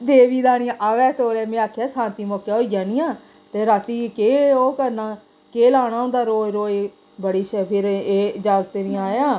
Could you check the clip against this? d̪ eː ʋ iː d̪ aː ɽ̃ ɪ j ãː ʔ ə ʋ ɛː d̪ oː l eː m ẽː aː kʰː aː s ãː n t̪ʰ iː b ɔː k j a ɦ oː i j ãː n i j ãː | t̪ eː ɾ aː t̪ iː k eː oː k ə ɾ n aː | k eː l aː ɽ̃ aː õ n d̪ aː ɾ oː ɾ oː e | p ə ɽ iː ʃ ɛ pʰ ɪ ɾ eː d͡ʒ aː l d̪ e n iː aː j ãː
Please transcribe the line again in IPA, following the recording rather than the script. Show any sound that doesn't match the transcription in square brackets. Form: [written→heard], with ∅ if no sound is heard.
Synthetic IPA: d̪ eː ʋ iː d̪ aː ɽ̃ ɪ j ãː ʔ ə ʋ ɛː [d̪→t̪] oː l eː m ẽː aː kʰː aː s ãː n [t̪ʰ→t̪] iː [b→m] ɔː k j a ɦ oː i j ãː n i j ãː | t̪ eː ɾ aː t̪ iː k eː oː k ə ɾ n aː | k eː l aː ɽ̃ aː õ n d̪ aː ɾ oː ɾ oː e | [p→b] ə ɽ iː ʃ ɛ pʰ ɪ ɾ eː d͡ʒ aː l [d̪→t̪] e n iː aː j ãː